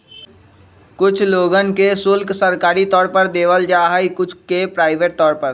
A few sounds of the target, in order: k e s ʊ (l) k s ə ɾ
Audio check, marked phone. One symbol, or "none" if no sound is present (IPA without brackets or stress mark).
l